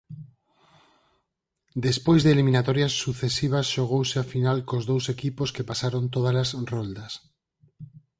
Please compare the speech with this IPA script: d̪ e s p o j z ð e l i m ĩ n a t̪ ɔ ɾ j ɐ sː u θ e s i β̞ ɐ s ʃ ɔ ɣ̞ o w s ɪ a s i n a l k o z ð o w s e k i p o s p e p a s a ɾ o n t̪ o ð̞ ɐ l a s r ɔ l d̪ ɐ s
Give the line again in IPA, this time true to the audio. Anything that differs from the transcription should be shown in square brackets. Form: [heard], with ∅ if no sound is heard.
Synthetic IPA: d̪ e s p o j z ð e l i m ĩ n a t̪ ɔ ɾ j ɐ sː u θ e s i β̞ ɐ s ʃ [o] ɣ̞ o w s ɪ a [f] i n a l k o z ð o w s e k i p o s [k] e p a s a ɾ o n t̪ o ð̞ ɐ l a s r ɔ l d̪ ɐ s